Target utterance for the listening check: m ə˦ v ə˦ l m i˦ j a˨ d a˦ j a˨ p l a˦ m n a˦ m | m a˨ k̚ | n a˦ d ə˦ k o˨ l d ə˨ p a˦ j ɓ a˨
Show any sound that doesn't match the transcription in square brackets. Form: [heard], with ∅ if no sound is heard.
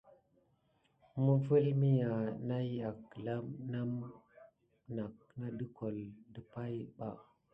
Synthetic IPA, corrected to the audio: m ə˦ v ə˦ l m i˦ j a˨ [n] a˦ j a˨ [k] l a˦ m n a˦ m | [n] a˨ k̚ | n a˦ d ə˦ k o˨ l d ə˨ p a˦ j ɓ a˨